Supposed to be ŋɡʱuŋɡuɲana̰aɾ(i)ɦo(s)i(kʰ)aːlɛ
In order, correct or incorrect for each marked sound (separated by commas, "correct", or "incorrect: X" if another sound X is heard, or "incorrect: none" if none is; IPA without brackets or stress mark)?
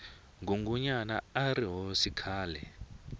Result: correct, correct, correct